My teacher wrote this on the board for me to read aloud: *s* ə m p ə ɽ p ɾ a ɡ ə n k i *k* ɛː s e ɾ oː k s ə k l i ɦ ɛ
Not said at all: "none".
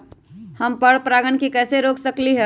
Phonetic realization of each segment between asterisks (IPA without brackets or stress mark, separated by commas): h, k